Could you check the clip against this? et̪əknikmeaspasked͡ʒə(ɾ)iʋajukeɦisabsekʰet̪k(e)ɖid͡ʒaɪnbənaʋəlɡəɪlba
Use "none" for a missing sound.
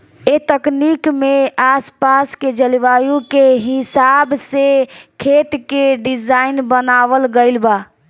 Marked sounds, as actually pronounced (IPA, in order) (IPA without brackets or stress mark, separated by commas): l, e